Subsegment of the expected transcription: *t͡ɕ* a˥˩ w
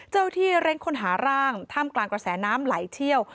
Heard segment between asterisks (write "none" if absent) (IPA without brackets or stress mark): t͡ɕ